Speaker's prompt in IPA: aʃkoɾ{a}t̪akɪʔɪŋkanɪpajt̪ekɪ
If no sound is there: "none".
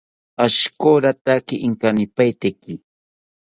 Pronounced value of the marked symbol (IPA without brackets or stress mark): a